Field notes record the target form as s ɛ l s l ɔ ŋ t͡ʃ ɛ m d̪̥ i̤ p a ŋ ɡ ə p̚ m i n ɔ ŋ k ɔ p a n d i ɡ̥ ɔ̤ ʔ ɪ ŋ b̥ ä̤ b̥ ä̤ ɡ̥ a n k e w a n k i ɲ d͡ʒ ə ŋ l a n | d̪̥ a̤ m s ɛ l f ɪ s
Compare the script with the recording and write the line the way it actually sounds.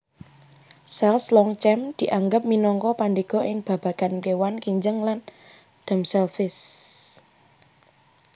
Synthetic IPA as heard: s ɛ l s l ɔ ŋ t͡ʃ ɛ m d̪̥ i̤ ʔ a ŋ ɡ ə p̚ m i n ɔ ŋ k ɔ p a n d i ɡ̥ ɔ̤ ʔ ɪ ŋ b̥ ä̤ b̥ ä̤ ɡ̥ a n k e w a n k i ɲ d͡ʒ ə ŋ l a n | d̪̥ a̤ m s ɛ l f ɪ s

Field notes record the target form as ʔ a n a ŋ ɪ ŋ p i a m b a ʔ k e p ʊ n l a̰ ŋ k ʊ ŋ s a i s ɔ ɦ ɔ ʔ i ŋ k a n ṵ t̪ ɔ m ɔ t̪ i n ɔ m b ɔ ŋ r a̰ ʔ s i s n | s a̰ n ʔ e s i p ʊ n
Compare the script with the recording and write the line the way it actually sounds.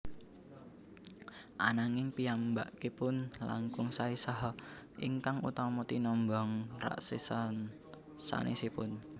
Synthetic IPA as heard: ʔ a n a ŋ ɪ ŋ p i a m b a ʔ k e p ʊ n l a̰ ŋ k ʊ ŋ s a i s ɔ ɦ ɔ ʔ i ŋ k a ŋ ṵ t̪ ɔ m ɔ t̪ i n ɔ m b ɔ ŋ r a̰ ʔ s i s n | s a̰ n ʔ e s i p ʊ n

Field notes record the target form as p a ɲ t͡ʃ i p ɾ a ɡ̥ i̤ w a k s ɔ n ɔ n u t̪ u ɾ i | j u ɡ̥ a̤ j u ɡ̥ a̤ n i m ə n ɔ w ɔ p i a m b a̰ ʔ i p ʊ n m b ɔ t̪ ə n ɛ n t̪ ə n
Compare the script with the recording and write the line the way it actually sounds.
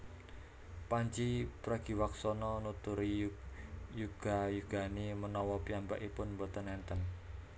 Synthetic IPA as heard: p a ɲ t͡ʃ i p ɾ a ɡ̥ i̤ w a k s ɔ n ɔ n u t̪ u ɾ i | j u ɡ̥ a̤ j u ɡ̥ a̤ n i m ə n ɔ w ɔ p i a m b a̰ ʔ i p ʊ n m b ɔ t̪ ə n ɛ n t̪ ə n

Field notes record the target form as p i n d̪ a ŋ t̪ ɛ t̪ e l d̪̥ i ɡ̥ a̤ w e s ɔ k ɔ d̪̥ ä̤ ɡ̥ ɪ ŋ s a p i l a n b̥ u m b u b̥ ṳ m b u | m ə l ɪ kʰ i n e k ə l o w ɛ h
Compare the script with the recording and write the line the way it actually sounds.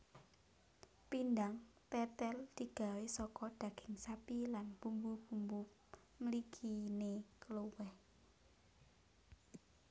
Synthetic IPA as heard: p i n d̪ a ŋ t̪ ɛ t̪ ɛ l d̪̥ i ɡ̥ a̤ w e s ɔ k ɔ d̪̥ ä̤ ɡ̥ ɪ ŋ s a p i l a n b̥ u m b u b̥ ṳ m b u | m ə l i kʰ i n e k ə l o w ɛ h

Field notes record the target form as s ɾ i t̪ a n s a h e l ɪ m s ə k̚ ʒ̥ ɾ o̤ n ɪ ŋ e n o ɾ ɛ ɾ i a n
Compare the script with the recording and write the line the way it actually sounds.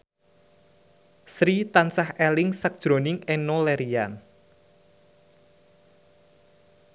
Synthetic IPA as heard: s ɾ i t̪ a n s a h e l ɪ ŋ s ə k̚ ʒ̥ ɾ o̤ n ɪ ŋ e n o l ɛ ɾ i a n

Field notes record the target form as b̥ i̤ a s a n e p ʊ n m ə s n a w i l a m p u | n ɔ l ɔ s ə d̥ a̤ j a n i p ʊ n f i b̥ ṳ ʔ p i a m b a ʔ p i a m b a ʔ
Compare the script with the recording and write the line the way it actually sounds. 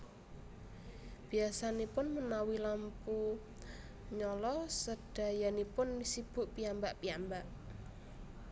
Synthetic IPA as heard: b̥ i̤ a s a n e p ʊ n m ə n a w i l a m p u | ɲ ɔ l ɔ s ə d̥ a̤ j a n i p ʊ n s i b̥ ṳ ʔ p i a m b a ʔ p i a m b a ʔ

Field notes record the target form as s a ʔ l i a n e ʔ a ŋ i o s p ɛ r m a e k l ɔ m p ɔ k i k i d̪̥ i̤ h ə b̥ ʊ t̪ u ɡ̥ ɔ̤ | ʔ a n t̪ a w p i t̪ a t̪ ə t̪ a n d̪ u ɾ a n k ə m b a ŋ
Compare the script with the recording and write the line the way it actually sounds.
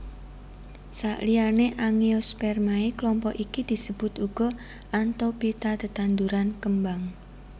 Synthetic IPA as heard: s a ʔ l i a n e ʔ a ŋ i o s p ɛ r m a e k l ɔ m p ɔ ʔ i k i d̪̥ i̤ s ə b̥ ʊ t̪ u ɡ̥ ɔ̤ | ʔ a n t̪ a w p i t̪ a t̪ ə t̪ a n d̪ u ɾ a n k ə m b a ŋ

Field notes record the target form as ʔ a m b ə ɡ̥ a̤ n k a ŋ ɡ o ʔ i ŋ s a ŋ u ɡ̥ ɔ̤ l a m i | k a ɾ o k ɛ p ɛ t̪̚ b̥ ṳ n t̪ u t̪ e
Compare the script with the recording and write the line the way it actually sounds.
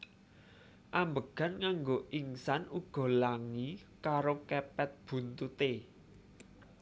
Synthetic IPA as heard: ʔ a m b ə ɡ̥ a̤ n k a ŋ ɡ o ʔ i ŋ s a n u ɡ̥ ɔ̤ l a ŋ i | k a ɾ o k ɛ p ɛ t̪̚ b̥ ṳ n t̪ u t̪ e

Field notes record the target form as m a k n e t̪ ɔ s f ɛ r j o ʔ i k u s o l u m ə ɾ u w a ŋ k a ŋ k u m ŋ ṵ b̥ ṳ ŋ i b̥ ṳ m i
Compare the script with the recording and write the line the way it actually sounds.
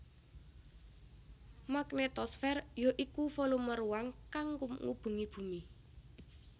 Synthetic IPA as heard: m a k n e t̪ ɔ s f ɛ r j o ʔ i k u f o l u m ə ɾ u w a ŋ k a ŋ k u m ŋ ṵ b̥ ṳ ŋ i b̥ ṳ m i

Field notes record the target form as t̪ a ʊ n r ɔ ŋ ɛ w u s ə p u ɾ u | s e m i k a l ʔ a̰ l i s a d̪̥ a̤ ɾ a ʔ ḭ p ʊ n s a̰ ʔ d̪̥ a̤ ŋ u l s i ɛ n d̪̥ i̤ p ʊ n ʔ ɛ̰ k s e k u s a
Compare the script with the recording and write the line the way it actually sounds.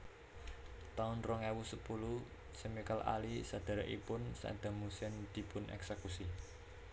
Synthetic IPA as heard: t̪ a ʊ n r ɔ ŋ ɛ w u s ə p u l u | s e m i k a l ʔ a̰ l i s a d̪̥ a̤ ɾ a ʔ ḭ p ʊ n s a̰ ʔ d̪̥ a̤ m u s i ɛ n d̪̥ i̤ p ʊ n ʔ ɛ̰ k s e k u s i

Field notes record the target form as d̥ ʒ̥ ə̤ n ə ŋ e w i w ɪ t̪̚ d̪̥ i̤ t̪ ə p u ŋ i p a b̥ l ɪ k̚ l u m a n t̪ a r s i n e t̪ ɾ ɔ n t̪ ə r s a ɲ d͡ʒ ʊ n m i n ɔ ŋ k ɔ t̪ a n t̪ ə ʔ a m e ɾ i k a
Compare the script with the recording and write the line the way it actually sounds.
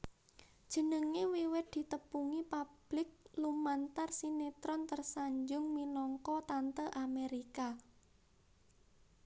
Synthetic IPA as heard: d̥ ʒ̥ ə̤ n ə ŋ e w i w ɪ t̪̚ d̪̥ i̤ t̪ ə p u ŋ i p a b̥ l ɪ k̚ l u m a n t̪ a r s i n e t̪ ɾ ɔ n t̪ ə r s a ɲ d͡ʒ ʊ ŋ m i n ɔ ŋ k ɔ t̪ a n t̪ ə ʔ a m e ɾ i k a

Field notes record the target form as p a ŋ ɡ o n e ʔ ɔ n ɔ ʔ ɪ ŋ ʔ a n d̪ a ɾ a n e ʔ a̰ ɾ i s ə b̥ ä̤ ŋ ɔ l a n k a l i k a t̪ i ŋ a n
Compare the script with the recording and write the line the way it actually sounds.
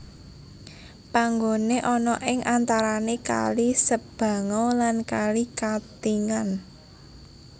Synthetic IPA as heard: p a ŋ ɡ o n e ʔ ɔ n ɔ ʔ ɪ ŋ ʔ a n t̪ a ɾ a n e k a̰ l i s ə b̥ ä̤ ŋ ɔ l a n k a l i k a t̪ i ŋ a n

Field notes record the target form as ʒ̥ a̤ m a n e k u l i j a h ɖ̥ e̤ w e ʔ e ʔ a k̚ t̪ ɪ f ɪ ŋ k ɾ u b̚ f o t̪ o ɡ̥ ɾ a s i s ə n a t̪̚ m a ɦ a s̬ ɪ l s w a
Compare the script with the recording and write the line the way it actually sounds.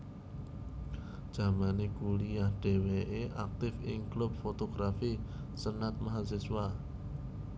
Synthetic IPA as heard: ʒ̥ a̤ m a n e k u l i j a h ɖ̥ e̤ w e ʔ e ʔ a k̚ t̪ ɪ f ɪ ŋ k l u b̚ f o t̪ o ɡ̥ ɾ a f i s ə n a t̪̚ m a ɦ a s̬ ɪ s w a

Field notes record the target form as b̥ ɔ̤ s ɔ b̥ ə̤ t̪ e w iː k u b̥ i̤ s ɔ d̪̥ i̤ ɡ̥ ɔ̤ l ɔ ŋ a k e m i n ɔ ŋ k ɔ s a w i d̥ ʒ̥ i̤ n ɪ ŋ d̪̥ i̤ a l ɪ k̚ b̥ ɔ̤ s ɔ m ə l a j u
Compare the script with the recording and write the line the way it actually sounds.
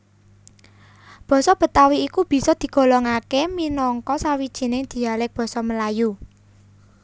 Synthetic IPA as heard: b̥ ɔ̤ s ɔ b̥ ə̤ t̪ a w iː k u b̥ i̤ s ɔ d̪̥ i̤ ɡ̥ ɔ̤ l ɔ ŋ a k e m i n ɔ ŋ k ɔ s a w i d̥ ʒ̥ i̤ n ɪ ŋ d̪̥ i̤ a l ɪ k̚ b̥ ɔ̤ s ɔ m ə l a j u

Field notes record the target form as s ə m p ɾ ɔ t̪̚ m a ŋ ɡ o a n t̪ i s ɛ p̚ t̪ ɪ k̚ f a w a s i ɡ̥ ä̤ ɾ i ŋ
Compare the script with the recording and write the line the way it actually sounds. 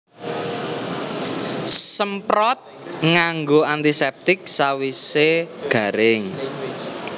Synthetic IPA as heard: s ə m p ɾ ɔ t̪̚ ŋ a ŋ ɡ o a n t̪ i s ɛ p̚ t̪ ɪ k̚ s a w i s e ɡ̥ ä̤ ɾ ɪ ŋ

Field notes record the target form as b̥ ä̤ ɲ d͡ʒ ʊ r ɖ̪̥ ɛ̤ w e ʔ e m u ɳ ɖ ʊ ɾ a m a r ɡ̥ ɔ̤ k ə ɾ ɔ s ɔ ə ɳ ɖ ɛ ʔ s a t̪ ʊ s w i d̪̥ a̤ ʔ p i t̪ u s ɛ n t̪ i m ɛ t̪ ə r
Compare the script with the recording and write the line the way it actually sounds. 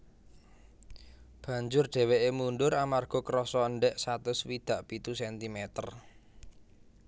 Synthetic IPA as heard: b̥ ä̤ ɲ d͡ʒ ʊ r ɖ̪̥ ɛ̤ w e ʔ e m u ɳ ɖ ʊ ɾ a m a r ɡ̥ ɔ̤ k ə ɾ ɔ s ɔ ə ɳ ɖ ɛ ʔ s a t̪ ʊ s w i d̪̥ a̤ ʔ p i t̪ u s ɛ n t̪ i m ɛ t̪ ə r

